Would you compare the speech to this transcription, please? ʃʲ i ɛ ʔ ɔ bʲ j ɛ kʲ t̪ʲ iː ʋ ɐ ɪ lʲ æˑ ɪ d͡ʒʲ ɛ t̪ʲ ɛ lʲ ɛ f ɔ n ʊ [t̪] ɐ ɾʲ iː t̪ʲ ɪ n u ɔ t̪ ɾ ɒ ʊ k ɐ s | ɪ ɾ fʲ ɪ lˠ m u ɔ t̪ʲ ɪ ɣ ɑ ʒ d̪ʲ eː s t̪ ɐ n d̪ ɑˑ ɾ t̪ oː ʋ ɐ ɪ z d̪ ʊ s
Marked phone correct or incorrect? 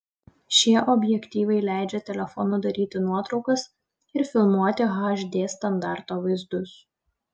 incorrect